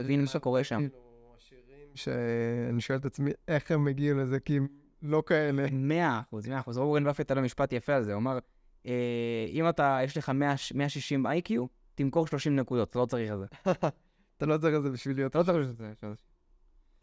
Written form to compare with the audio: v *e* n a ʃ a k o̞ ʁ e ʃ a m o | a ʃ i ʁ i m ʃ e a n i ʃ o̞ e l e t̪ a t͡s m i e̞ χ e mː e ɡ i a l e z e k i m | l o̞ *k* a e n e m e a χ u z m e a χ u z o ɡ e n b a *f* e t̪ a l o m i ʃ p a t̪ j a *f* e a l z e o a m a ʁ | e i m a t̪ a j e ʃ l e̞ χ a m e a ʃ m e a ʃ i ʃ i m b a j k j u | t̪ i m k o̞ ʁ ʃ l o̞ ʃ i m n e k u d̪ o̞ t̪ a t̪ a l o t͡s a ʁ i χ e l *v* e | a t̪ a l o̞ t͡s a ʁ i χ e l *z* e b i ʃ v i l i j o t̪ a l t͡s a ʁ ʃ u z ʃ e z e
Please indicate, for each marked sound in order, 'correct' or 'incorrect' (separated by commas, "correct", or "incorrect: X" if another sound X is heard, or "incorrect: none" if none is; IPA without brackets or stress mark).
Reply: incorrect: i, correct, correct, correct, incorrect: z, correct